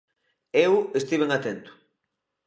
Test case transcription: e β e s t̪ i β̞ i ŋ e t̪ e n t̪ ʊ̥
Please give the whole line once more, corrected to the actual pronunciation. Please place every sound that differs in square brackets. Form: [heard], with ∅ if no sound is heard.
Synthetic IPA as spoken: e [w] e s t̪ i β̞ [e] ŋ [a] t̪ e n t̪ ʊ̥